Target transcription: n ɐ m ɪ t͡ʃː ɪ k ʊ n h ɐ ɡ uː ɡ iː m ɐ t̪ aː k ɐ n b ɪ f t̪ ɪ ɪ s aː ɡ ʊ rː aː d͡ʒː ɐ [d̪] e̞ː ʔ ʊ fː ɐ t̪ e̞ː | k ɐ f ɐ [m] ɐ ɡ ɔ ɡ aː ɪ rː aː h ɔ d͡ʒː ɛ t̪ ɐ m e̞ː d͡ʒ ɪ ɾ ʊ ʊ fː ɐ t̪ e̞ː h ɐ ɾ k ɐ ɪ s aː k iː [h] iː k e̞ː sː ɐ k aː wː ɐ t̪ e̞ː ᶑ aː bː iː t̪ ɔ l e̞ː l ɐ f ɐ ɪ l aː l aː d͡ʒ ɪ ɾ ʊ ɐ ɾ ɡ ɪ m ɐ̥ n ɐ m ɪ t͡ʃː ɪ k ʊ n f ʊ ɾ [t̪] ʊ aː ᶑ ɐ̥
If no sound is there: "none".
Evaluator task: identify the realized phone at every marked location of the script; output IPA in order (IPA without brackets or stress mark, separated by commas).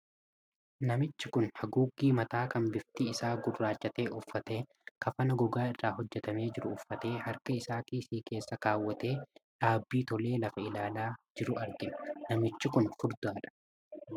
t̪, n, s, d̪